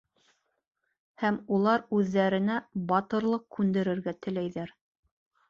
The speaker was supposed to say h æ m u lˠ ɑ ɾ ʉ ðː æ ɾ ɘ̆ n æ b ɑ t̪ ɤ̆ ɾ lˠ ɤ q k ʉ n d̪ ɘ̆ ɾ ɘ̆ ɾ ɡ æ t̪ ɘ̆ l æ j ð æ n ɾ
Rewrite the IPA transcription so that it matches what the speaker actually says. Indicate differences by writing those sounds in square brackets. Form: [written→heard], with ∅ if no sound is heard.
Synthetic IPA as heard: h æ m u lˠ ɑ ɾ ʉ ðː æ ɾ ɘ̆ n æ b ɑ t̪ ɤ̆ ɾ lˠ ɤ q k ʉ n d̪ ɘ̆ ɾ ɘ̆ ɾ ɡ æ t̪ ɘ̆ l æ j ð æ [n→∅] ɾ